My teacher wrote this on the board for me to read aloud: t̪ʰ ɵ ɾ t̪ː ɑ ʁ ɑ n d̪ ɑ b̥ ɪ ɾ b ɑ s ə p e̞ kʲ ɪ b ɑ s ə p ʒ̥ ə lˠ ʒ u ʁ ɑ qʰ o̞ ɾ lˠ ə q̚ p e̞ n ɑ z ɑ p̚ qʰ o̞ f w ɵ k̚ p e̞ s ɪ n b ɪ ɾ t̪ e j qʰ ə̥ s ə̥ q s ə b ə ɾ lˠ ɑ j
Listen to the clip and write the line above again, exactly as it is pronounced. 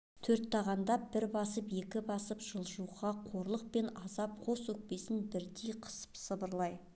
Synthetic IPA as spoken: t̪ʰ ɵ ɾ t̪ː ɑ ʁ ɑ n d̪ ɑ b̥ ɪ ɾ b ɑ s ə p e̞ kʲ ɪ b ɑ s ə p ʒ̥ ə lˠ ʒ u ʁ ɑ qʰ o̞ ɾ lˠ ə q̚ p e̞ n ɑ z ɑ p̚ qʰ o̞ s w ɵ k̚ p e̞ s ɪ n b ɪ ɾ d̪ e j qʰ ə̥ s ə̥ p s ə b ə ɾ lˠ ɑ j